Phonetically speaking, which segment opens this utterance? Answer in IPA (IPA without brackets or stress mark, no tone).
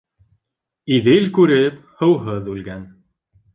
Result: i